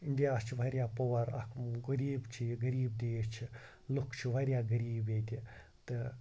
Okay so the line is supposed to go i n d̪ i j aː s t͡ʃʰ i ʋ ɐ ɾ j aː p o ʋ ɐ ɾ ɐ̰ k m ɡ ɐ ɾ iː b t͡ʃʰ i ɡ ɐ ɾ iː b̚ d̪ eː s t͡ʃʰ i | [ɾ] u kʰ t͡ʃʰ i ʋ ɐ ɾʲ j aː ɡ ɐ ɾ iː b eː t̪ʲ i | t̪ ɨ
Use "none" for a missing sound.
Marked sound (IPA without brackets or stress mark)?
l